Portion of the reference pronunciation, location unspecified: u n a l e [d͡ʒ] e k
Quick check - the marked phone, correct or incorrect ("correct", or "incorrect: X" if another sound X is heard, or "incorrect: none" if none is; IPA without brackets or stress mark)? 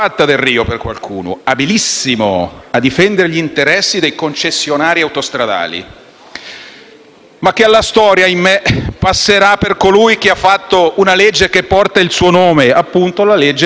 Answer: incorrect: d͡ʒː